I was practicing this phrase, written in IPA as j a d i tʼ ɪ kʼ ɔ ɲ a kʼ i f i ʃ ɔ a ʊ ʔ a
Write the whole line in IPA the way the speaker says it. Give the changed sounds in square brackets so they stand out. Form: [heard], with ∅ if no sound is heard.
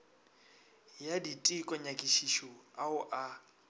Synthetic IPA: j a d i tʼ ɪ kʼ ɔ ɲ a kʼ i [ʃ] i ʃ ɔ a ʊ ʔ a